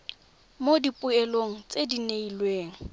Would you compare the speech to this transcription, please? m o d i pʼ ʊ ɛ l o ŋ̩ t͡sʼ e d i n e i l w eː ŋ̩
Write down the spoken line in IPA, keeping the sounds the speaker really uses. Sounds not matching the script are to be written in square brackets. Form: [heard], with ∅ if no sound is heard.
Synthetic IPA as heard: m o d i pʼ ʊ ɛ l o ŋ̩ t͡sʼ e d i n e i l w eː ŋ̩